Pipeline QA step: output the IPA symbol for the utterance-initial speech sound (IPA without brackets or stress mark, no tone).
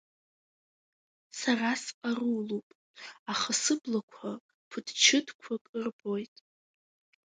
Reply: s